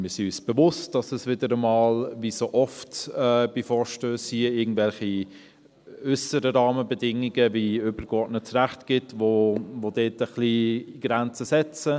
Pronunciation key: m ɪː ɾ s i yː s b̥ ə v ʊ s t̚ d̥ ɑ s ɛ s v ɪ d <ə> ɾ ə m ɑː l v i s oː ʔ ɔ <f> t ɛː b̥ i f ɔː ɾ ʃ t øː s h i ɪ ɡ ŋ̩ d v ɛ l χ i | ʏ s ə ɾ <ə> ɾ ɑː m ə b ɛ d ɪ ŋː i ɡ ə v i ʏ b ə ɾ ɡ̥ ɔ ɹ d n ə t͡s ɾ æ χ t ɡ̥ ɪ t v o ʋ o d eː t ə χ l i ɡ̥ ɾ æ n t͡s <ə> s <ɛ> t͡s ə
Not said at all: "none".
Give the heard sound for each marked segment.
ə, f, ə, ə, ɛ

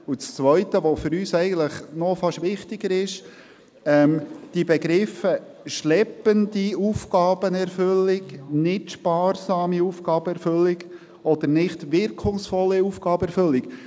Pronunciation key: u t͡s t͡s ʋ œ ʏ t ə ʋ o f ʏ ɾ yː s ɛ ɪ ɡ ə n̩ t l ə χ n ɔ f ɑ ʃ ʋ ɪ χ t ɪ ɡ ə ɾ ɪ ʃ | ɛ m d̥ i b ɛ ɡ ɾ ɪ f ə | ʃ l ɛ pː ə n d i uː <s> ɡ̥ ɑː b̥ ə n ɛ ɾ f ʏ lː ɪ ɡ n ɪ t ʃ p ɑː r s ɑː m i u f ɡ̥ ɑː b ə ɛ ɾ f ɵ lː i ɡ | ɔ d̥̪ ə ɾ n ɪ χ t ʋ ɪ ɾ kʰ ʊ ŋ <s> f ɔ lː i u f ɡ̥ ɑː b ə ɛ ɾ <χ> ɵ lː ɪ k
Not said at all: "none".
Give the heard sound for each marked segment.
f, s, f

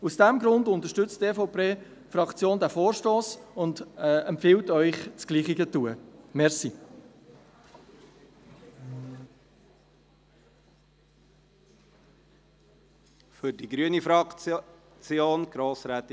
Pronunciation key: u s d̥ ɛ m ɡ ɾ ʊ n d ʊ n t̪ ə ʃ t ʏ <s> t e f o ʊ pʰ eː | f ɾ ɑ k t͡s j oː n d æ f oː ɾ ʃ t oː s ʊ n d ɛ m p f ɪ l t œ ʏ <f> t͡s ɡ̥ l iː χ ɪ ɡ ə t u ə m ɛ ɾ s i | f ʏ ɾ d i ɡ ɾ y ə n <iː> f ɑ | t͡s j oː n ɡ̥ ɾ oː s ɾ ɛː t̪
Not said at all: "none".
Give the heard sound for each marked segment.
t͡s, χ, i

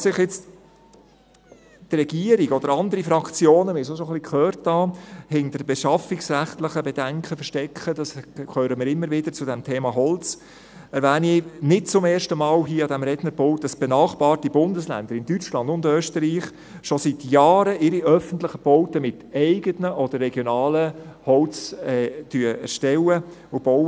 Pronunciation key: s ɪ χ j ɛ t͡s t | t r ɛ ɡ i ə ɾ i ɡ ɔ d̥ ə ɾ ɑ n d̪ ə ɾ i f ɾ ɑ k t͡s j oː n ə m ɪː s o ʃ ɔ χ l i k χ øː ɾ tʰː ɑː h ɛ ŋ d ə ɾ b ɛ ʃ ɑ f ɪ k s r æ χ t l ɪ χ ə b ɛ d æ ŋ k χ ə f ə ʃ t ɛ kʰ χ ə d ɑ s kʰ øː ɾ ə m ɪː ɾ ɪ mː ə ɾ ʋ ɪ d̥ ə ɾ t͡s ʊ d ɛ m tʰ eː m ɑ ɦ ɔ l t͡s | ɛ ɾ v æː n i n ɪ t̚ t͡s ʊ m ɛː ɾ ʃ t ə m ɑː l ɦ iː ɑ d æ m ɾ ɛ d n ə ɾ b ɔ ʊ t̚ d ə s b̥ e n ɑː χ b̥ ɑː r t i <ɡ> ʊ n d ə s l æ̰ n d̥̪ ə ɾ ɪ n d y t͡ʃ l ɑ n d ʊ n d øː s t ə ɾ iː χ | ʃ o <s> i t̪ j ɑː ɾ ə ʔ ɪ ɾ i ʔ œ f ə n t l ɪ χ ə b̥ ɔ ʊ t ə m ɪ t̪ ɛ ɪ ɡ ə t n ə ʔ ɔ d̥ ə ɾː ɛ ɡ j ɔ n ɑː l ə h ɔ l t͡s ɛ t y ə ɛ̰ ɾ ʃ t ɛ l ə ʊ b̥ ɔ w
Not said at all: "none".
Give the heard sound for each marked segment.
b, s

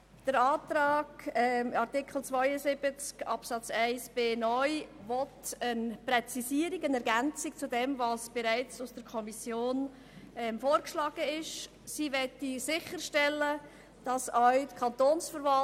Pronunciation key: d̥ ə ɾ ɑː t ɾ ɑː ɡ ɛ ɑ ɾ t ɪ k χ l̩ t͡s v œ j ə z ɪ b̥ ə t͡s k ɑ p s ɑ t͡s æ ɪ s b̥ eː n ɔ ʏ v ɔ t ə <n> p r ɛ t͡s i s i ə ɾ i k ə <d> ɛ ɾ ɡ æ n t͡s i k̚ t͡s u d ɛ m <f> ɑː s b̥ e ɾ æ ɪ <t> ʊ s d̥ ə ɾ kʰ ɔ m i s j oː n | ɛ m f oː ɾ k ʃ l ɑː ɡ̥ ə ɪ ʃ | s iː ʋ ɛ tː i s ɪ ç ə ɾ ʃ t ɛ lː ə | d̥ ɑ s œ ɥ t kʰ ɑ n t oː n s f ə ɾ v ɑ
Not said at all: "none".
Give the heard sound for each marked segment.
n, n, v, t͡s

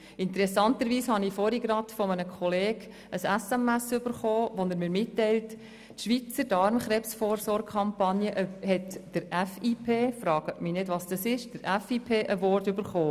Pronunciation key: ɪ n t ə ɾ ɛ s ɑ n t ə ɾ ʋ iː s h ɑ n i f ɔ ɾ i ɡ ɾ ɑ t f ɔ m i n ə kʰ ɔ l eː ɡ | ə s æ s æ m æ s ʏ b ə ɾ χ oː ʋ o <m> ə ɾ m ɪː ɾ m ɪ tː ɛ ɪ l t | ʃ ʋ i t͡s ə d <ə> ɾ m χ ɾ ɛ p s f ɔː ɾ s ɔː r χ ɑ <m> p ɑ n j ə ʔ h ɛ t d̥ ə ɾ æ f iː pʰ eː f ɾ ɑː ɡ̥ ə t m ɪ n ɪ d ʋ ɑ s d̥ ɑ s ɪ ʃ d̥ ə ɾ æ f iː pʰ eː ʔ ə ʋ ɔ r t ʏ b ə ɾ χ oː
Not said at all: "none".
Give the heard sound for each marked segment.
n, ɑ, m

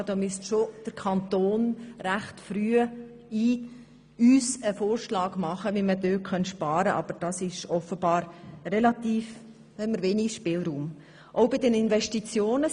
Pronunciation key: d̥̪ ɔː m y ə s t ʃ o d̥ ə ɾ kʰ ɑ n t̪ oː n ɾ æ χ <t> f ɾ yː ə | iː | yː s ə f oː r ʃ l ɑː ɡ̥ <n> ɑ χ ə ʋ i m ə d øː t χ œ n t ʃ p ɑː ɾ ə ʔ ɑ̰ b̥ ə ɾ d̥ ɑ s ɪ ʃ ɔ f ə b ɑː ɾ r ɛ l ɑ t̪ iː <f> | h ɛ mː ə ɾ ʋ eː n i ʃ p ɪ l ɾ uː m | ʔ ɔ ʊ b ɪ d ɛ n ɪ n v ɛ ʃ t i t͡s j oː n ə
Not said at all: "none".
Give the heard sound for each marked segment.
t, m, f

